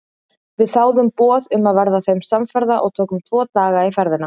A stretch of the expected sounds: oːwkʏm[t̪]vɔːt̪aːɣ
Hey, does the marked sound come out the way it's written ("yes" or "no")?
no